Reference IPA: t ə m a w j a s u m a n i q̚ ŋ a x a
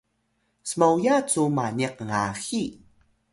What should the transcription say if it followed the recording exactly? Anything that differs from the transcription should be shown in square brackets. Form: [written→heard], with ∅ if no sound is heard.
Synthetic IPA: [t→s] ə m a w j a [s→t͡s] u m a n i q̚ ŋ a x [a→i]